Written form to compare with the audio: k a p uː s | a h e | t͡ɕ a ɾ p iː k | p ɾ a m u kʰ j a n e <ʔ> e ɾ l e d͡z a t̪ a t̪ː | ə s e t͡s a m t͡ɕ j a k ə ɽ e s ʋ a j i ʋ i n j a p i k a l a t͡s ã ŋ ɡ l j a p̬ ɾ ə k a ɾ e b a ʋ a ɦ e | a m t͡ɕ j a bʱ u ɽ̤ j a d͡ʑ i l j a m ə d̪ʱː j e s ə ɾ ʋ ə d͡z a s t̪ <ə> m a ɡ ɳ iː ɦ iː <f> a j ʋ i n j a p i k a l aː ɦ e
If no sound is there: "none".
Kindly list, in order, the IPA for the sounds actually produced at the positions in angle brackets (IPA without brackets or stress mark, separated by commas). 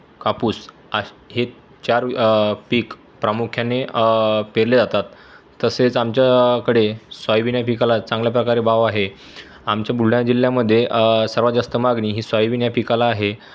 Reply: p, ə, s